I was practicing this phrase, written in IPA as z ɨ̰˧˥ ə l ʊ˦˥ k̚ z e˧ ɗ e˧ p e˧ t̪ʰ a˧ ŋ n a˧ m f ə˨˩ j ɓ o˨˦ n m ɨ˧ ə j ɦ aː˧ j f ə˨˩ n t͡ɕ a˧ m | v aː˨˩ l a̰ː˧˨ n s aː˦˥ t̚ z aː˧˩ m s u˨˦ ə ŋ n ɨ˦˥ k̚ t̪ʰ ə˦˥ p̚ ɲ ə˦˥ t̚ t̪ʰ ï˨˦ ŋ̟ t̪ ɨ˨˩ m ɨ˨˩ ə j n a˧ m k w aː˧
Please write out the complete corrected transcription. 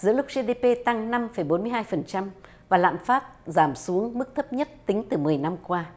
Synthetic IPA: z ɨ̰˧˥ ə l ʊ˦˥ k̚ z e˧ ɗ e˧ p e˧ t̪ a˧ ŋ n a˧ m f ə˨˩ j ɓ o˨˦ n m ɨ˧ ə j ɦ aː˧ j f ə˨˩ n t͡ɕ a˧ m | v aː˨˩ l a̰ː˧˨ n f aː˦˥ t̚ z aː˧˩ m s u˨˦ ə ŋ m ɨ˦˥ k̚ t̪ʰ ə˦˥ p̚ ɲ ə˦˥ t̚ t̪ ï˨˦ ŋ̟ t̪ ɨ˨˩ m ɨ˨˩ ə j n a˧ m k w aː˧